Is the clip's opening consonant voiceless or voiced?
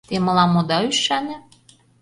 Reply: voiceless